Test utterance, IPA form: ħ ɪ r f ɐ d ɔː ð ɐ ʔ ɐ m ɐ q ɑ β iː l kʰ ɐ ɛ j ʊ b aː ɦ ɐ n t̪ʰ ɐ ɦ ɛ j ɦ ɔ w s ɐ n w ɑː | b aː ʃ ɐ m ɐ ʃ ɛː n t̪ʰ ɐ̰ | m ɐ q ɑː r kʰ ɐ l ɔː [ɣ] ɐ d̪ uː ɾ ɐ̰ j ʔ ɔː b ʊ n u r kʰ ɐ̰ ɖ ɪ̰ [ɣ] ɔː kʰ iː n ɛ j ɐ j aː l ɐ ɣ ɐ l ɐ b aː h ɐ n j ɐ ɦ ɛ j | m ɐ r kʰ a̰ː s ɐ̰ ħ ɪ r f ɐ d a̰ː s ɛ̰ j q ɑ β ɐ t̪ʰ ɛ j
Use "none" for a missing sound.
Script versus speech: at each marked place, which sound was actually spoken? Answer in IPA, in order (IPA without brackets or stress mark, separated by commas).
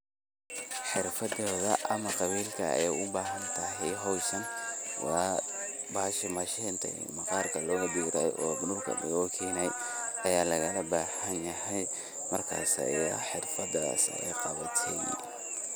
ɣ, ɣ